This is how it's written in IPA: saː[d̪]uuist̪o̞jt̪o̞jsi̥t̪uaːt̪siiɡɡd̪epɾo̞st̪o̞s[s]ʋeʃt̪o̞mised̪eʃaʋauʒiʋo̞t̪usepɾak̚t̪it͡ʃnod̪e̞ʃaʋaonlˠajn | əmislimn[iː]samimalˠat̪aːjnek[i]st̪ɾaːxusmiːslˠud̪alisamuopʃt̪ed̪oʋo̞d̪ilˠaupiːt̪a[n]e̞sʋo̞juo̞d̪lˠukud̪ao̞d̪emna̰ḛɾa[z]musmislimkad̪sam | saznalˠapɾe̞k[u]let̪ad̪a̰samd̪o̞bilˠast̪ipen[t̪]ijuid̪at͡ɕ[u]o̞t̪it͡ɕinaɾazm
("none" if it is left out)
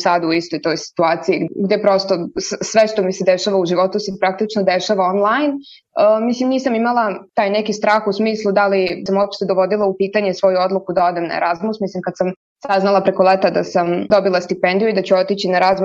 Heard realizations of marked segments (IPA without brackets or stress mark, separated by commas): d̪, s, iː, i, ɲ, z, o, d̪, u